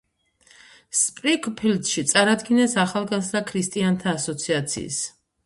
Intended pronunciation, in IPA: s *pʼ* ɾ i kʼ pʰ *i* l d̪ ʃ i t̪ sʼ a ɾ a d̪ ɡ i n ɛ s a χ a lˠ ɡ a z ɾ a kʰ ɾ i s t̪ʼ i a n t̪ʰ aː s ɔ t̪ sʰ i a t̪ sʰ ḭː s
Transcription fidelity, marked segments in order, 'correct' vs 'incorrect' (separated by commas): correct, correct